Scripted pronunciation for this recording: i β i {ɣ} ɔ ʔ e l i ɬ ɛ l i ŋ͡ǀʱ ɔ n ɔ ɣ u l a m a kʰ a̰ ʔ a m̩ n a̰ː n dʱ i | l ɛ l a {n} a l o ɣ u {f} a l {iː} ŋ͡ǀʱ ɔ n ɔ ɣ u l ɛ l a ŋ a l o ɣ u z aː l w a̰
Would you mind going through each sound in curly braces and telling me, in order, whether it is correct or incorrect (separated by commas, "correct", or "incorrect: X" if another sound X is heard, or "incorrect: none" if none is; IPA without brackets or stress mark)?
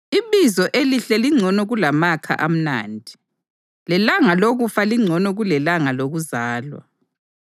incorrect: z, incorrect: ŋ, correct, incorrect: i